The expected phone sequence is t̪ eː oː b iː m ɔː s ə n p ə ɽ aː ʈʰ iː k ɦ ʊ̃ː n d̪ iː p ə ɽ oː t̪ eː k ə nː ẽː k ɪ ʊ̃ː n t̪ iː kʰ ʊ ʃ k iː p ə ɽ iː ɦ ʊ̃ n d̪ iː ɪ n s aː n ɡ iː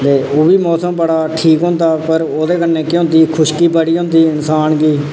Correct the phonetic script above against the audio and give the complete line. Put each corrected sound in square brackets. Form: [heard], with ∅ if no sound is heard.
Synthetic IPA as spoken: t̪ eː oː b iː m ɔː s ə [m] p ə ɽ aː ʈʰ iː k ɦ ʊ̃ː n d̪ [aː] p ə [ɾ] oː [d̪] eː k ə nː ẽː k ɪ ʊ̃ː n [d̪] iː kʰ ʊ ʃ k iː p ə ɽ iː ɦ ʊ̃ n d̪ iː ɪ n s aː n ɡ iː